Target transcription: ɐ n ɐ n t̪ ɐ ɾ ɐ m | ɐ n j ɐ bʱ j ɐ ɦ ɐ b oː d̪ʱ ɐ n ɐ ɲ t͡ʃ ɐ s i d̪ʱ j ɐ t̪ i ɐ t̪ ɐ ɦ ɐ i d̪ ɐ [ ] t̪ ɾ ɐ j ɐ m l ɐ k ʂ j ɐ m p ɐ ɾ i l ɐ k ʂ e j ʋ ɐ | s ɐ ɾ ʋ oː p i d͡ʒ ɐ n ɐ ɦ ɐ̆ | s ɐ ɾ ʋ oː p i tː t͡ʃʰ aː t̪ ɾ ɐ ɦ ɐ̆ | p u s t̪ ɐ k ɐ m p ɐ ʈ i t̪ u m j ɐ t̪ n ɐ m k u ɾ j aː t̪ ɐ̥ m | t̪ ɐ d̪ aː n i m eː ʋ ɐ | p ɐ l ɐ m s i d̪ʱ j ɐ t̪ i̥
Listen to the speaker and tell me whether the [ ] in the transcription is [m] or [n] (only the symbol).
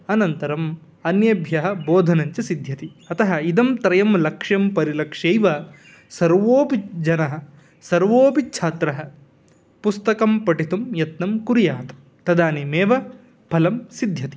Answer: m